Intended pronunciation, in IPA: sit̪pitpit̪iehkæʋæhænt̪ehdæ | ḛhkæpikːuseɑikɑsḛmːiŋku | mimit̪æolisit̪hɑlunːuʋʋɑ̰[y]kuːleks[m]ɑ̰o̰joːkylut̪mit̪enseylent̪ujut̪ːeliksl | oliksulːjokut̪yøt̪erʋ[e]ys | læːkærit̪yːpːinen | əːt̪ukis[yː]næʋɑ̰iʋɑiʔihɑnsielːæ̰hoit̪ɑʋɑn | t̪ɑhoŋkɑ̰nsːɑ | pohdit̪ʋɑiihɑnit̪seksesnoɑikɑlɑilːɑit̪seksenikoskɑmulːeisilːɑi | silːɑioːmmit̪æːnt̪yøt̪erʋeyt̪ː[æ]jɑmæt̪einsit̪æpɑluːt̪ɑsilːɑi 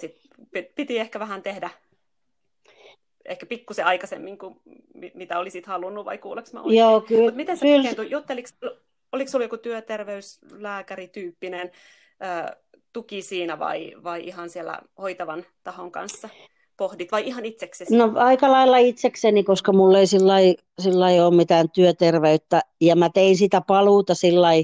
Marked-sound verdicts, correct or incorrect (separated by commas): incorrect, correct, correct, incorrect, correct